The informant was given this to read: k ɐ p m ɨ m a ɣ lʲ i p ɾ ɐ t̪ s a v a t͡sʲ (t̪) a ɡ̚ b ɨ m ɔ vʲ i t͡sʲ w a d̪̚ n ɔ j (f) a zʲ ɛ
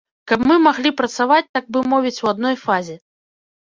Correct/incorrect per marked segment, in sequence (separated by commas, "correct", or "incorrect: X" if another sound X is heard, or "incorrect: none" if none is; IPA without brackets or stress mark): correct, correct